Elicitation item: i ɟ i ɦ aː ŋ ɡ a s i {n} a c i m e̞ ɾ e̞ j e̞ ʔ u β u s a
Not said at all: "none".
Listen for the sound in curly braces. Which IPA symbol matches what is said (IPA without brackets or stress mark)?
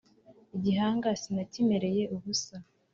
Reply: n